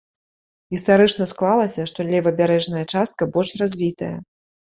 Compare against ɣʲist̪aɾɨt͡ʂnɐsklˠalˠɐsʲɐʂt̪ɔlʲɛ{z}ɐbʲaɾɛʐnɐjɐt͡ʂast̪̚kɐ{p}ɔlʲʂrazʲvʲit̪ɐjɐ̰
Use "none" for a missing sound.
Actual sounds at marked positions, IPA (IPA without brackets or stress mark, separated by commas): v, b